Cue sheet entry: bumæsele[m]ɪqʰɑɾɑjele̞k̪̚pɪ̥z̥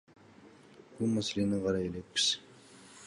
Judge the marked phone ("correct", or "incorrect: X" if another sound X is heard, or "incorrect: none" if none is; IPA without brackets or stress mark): incorrect: n